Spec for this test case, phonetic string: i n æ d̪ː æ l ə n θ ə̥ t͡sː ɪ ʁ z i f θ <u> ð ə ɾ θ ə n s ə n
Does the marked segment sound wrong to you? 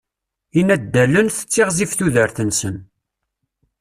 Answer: no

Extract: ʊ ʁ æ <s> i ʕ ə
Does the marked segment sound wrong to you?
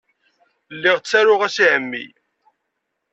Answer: no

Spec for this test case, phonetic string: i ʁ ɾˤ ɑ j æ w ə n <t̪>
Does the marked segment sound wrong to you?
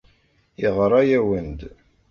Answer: yes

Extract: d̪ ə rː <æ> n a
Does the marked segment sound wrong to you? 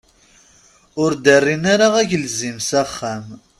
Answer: yes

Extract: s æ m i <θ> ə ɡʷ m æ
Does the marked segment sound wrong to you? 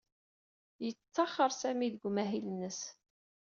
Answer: yes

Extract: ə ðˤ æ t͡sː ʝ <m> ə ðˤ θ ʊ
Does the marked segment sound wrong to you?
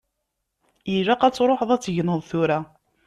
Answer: yes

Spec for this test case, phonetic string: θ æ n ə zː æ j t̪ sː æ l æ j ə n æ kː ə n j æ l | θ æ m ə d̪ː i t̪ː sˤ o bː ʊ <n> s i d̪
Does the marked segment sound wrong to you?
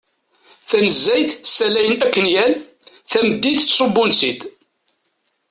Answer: no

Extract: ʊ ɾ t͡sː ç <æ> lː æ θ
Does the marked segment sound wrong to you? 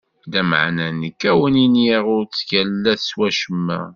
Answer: no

